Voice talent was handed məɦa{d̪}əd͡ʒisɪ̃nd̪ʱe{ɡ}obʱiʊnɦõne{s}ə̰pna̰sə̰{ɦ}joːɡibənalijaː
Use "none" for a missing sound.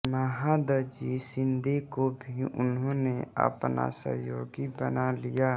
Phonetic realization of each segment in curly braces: d̪, k, none, ɦ

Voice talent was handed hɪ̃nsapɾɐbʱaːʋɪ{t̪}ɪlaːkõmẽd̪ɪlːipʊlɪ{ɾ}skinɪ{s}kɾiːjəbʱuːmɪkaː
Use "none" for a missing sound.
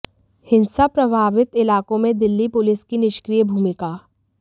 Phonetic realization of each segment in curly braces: t̪, none, ʃ

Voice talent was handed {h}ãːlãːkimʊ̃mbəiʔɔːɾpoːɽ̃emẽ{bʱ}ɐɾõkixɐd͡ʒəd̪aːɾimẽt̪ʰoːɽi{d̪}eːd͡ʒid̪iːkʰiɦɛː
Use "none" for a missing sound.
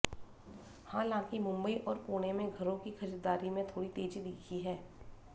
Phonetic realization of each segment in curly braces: h, ɡʱ, t̪

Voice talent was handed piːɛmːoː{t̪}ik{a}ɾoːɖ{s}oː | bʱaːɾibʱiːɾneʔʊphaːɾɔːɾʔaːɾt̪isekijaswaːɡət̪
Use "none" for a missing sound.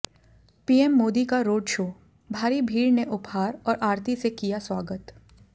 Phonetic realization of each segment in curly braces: d̪, a, ʃ

